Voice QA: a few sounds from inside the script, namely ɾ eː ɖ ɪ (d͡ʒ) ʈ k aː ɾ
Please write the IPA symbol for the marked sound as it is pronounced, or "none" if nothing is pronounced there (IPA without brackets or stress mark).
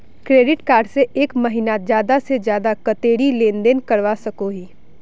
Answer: none